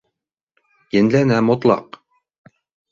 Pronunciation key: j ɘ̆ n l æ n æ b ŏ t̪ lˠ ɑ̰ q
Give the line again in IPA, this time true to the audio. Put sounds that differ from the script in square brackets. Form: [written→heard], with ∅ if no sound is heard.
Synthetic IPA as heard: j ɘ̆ n l æ n æ [b→m] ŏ t̪ lˠ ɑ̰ q